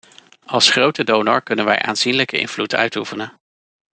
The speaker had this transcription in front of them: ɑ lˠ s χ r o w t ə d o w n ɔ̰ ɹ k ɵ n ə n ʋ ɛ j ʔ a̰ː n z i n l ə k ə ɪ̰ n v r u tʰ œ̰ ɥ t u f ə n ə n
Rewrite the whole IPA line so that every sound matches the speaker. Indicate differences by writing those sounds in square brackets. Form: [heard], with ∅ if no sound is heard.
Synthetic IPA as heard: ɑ lˠ s χ r o w t ə d o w n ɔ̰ ɹ k ɵ n ə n ʋ ɛ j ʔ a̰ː n z i n l ə k ə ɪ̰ n v [l] u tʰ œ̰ ɥ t u f ə n ə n